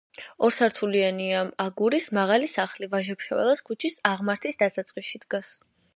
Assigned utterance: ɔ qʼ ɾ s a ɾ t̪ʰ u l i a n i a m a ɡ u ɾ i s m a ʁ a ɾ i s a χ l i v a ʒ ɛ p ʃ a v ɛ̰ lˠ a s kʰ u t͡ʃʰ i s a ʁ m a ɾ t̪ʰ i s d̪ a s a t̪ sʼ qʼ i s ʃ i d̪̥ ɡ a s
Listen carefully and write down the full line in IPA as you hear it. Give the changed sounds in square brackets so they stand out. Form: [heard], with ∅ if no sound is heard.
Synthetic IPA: ɔ [∅] ɾ s a ɾ t̪ʰ u l i a n i a m a ɡ u ɾ i s m a ʁ a [l] i s a χ l i v a ʒ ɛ p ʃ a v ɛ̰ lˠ a s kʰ u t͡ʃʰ i s a ʁ m a ɾ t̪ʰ i s d̪ a s a t̪ sʼ qʼ i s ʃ i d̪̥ ɡ a s